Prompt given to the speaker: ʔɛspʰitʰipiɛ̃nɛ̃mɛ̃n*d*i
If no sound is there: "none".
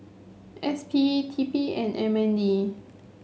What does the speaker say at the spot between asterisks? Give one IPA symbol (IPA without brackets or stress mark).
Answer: d